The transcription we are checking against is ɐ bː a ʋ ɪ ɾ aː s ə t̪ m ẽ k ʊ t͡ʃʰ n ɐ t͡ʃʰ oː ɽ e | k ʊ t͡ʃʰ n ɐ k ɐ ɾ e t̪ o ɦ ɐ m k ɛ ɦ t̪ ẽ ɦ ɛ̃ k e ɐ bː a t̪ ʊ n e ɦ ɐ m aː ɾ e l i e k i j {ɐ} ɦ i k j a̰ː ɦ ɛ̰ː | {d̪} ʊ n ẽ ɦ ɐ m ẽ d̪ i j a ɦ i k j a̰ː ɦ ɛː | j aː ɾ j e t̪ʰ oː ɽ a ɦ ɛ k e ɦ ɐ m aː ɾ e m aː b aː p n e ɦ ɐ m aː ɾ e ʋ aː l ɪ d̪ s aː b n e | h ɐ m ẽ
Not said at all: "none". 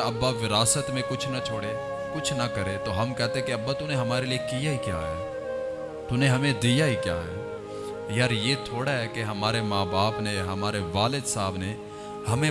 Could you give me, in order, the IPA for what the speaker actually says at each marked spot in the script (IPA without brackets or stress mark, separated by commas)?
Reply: a, t̪